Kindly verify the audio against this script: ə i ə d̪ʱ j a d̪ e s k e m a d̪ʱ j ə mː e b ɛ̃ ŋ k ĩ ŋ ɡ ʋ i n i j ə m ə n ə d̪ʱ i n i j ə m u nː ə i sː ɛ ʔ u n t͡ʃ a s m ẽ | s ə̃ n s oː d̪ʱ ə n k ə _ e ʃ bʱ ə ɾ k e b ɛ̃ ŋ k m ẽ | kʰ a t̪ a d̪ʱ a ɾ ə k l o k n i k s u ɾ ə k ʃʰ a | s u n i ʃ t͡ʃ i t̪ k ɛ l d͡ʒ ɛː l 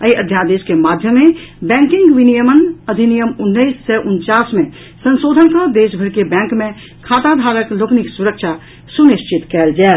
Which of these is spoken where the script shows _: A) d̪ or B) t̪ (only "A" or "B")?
A